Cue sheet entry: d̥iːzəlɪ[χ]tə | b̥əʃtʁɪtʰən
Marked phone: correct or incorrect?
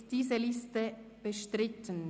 incorrect